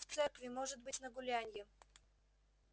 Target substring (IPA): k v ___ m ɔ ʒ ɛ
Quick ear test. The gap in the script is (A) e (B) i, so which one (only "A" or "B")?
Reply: B